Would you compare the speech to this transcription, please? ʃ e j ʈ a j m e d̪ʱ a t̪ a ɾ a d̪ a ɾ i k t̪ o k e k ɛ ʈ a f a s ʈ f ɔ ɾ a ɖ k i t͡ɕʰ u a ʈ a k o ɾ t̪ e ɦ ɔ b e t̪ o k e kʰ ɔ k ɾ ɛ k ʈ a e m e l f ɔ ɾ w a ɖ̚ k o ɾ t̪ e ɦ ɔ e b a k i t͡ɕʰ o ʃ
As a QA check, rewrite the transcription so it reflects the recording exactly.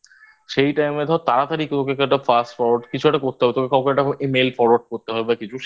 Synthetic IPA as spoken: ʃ e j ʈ a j m e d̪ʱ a t̪ a ɾ a t̪ a ɾ i k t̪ o k e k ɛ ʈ a f a s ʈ f ɔ ɾ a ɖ k i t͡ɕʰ u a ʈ a k o ɾ t̪ e ɦ ɔ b e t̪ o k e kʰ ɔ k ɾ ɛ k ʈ a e m e l f ɔ ɾ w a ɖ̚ k o ɾ t̪ e ɦ ɔ e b a k i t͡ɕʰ u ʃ